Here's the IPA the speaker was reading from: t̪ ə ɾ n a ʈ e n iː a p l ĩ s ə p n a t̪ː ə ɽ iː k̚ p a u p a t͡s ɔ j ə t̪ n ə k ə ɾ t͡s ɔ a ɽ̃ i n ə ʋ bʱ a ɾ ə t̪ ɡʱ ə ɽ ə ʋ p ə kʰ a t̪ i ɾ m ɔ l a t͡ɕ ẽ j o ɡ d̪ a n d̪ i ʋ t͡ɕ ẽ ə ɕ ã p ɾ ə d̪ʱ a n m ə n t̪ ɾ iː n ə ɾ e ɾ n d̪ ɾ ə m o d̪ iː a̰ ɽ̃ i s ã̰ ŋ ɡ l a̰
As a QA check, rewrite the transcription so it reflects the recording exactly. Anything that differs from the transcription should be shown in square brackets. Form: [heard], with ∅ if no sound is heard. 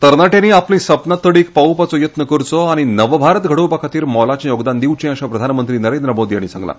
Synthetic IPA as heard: t̪ ə ɾ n a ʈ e n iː a p l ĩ s ə p n a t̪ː ə ɽ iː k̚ p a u p a t͡s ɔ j ə t̪ n ə k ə ɾ t͡s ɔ a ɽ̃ i n ə ʋ bʱ a ɾ ə t̪ ɡʱ ə ɽ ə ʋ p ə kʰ a t̪ [iː] ɾ m ɔ l a t͡ɕ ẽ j o ɡ d̪ a n d̪ i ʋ t͡ɕ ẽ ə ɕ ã p ɾ ə d̪ʱ a n m ə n t̪ ɾ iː n ə ɾ e [∅] n d̪ ɾ ə m o d̪ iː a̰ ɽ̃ i s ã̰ ŋ ɡ l a̰